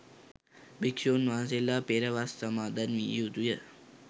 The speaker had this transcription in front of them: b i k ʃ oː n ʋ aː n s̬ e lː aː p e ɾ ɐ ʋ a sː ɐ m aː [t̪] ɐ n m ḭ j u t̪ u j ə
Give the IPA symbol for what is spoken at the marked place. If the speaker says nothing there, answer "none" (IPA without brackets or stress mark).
d̪